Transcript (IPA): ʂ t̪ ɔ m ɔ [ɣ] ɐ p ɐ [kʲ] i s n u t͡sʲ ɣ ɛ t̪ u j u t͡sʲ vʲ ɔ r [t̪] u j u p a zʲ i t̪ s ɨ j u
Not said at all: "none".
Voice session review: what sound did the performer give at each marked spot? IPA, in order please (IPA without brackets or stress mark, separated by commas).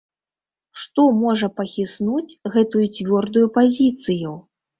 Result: ʐ, xʲ, d̪